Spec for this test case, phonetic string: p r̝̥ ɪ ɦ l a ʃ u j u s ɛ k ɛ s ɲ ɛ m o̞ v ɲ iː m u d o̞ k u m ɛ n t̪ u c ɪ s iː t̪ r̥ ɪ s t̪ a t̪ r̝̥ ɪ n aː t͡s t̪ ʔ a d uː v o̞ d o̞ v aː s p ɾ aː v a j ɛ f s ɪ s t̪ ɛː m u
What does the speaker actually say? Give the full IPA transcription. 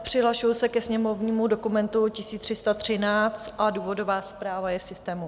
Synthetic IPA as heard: p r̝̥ ɪ ɦ l a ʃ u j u s ɛ k ɛ s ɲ ɛ m o̞ v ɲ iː m u d o̞ k u m ɛ n t̪ u c ɪ s iː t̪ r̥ ɪ s t̪ a t̪ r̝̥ ɪ n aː t͡s t̪ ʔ a d uː v o̞ d o̞ v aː s p ɾ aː v a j ɛ f s ɪ s t̪ ɛː m u